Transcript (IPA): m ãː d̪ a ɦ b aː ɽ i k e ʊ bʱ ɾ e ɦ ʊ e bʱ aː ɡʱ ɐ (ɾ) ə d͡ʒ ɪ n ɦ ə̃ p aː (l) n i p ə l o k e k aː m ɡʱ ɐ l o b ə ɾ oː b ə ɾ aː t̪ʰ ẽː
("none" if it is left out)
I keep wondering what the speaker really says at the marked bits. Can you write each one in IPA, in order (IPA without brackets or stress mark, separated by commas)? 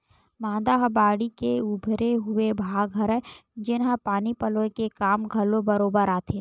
ɾ, none